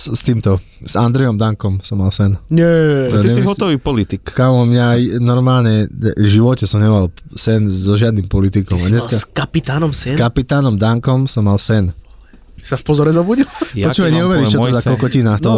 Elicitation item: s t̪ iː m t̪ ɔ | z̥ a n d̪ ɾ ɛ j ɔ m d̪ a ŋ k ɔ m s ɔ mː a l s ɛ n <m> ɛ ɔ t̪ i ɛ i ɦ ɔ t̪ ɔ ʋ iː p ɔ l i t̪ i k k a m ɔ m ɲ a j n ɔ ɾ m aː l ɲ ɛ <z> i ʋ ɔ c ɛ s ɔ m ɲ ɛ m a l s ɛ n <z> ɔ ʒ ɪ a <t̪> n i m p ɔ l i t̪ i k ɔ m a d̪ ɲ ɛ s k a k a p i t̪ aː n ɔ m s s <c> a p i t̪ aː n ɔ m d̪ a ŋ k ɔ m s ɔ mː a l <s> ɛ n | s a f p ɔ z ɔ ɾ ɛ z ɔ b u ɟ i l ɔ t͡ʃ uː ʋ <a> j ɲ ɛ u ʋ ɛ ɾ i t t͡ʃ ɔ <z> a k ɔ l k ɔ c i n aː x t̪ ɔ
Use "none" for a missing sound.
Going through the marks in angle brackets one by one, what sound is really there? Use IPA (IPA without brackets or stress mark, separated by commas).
ɲ, ʒ, z, d̪, k, s, a, z